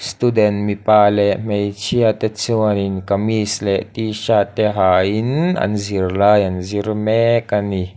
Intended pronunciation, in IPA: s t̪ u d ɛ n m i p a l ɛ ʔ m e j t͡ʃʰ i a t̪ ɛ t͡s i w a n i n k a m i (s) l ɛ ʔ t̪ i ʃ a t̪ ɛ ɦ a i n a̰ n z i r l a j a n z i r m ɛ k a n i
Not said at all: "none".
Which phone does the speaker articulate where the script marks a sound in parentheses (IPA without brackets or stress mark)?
s